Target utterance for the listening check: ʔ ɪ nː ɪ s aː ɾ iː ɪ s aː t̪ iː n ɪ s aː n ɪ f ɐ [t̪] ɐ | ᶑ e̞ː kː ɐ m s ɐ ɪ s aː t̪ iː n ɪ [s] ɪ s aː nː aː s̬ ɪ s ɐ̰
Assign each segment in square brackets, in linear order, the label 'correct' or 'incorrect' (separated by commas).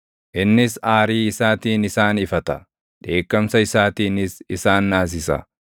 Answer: correct, correct